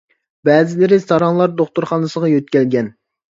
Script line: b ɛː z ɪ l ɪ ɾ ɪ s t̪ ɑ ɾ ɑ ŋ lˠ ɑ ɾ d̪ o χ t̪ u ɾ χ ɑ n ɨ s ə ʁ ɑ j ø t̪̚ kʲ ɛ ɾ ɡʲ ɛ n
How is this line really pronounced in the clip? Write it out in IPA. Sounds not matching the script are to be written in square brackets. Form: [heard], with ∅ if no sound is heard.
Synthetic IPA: b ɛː z ɪ l ɪ ɾ ɪ s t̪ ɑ ɾ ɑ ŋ lˠ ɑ ɾ d̪ o χ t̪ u ɾ χ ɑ n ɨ s ə ʁ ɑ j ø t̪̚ kʲ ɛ [l] ɡʲ ɛ n